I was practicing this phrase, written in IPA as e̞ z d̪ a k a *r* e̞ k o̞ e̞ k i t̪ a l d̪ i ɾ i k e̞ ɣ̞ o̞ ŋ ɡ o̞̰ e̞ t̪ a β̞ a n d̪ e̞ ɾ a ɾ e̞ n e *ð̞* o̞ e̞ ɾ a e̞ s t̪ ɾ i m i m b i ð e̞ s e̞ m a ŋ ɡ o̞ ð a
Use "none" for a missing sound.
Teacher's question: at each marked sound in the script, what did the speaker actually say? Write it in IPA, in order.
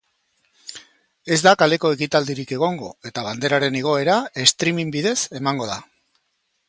l, ɣ̞

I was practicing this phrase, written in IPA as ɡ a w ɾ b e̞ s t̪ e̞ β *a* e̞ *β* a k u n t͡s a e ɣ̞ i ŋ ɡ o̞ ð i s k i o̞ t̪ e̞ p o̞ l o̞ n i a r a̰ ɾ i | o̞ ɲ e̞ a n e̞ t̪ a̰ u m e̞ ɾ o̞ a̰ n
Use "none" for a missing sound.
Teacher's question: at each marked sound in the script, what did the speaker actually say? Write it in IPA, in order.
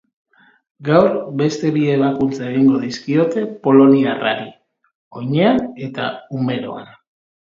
i, β

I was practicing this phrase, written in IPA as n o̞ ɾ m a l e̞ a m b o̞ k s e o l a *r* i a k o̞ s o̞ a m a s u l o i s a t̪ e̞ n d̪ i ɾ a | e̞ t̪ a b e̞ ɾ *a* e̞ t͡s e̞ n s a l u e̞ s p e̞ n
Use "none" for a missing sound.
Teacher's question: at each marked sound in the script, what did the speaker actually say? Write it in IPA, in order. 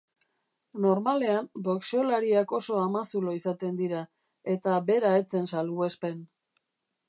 ɾ, a

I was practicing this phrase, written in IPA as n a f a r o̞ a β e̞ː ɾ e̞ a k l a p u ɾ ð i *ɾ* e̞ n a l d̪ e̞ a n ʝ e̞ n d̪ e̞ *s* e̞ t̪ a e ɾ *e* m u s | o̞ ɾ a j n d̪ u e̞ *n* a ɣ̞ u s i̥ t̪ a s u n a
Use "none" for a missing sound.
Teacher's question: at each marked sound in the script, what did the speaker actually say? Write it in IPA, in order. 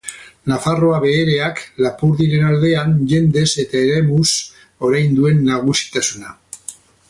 ɾ, s, e, nː

